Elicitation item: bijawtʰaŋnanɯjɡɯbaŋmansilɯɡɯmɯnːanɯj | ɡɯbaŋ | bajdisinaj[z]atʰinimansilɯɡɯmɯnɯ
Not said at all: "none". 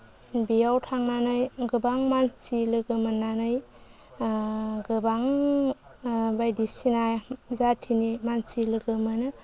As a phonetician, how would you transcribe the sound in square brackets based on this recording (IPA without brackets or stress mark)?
z